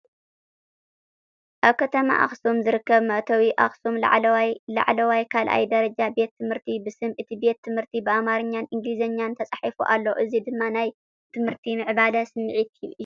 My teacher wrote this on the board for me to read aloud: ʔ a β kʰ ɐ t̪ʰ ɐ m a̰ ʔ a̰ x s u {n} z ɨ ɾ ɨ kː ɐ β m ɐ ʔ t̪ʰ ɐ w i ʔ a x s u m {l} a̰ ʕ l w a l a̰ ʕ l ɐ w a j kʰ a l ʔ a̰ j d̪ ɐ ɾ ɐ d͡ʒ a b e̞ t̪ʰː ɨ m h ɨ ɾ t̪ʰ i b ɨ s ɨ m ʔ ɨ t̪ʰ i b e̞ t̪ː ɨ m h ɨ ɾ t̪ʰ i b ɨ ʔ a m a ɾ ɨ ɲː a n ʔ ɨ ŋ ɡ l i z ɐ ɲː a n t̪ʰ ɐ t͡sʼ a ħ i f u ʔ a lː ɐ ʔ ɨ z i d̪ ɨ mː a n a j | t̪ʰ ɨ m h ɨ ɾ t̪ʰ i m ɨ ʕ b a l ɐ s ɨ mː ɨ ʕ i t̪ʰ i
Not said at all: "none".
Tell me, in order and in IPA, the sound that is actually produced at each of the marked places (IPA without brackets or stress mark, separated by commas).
m, l